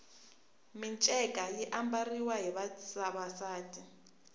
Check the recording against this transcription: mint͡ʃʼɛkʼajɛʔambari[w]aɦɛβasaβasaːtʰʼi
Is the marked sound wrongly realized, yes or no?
no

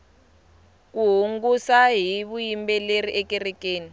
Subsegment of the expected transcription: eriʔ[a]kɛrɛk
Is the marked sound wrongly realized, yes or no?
yes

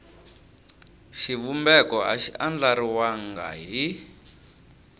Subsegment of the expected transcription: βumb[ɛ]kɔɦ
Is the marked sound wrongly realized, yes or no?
no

